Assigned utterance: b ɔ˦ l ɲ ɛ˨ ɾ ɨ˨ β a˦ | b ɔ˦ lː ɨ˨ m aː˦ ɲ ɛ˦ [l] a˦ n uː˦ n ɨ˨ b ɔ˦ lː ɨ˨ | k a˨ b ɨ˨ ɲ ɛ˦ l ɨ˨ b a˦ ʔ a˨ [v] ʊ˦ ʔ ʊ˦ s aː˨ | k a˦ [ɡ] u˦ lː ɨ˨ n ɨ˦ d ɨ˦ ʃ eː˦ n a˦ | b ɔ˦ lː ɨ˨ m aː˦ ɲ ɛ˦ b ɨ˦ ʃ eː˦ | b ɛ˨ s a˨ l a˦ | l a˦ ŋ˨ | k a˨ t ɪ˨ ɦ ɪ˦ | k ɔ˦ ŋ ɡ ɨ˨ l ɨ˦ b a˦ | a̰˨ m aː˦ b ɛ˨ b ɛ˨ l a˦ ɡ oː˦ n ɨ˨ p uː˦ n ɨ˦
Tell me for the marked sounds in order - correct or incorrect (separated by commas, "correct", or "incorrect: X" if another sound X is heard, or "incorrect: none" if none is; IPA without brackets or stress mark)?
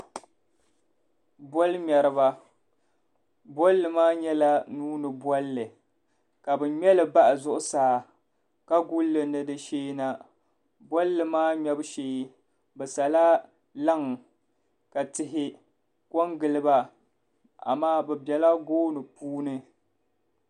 correct, incorrect: z, correct